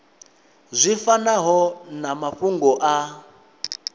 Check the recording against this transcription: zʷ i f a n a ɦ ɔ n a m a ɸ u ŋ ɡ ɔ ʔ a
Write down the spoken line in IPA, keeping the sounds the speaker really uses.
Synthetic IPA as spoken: zʷ i f a n a ɦ ɔ n a m a ɸ u ŋ ɡ ɔ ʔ a